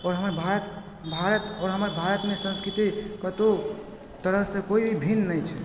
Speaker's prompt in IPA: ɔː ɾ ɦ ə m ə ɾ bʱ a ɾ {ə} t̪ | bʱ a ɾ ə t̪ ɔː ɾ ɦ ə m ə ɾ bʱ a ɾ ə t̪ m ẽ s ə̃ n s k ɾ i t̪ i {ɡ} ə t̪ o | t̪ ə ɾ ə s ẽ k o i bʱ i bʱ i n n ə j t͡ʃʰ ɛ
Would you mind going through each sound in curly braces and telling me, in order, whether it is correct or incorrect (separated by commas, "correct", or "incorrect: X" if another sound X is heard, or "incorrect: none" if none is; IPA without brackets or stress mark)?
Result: correct, incorrect: k